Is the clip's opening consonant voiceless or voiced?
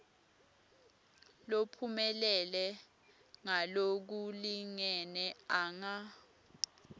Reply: voiced